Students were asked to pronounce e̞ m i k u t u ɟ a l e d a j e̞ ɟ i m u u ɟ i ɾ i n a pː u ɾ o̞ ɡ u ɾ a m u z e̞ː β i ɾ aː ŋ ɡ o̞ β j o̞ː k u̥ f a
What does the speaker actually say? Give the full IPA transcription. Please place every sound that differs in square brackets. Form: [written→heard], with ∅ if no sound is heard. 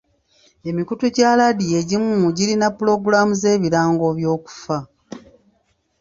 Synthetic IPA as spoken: e̞ m i k u t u ɟ a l [e→a] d [a→i] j e̞ ɟ i m u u ɟ i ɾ i n a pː u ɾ o̞ ɡ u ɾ a m u z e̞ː β i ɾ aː ŋ ɡ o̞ β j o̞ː k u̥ f a

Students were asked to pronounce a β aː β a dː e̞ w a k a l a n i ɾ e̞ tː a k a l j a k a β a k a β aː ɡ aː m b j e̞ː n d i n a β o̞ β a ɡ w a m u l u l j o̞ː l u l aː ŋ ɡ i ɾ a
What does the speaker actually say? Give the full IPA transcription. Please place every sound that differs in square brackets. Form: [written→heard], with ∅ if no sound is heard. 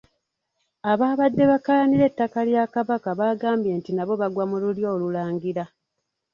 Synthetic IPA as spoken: a β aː β a dː e̞ [w→β] a k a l a n i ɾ e̞ tː a k a l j a k a β a k a β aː ɡ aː m b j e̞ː n [d→t] i n a β o̞ β a ɡ w a m u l u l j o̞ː l u l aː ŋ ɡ i ɾ a

